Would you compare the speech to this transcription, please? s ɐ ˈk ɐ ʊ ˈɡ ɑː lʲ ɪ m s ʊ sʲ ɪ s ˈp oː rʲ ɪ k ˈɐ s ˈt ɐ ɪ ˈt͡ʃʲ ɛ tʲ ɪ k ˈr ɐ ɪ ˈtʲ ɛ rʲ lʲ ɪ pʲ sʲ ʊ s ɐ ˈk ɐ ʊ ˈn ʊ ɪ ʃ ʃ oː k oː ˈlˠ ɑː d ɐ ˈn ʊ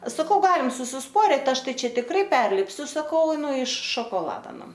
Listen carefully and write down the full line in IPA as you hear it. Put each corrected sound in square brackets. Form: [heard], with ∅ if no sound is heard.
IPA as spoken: s ɐ ˈk ɐ ʊ ˈɡ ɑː lʲ ɪ m s ʊ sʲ ɪ s ˈp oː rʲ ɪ [t] ˈɐ [ʃ] ˈt ɐ ɪ ˈt͡ʃʲ ɛ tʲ ɪ k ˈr ɐ ɪ [ˈpʲ] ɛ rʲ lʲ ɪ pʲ sʲ ʊ s ɐ ˈk ɐ ʊ ˈn ʊ ɪ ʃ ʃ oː k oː ˈlˠ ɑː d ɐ ˈn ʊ